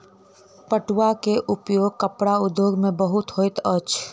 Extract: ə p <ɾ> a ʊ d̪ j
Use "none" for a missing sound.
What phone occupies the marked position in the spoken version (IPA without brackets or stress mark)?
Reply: ɽ